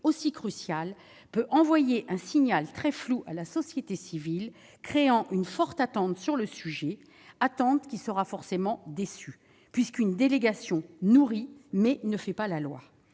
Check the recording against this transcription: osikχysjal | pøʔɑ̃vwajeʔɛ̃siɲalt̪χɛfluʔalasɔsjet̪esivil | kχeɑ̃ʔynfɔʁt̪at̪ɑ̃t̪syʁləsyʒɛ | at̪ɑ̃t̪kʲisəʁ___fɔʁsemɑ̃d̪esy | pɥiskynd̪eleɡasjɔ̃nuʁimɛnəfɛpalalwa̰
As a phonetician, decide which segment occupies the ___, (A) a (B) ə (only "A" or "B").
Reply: A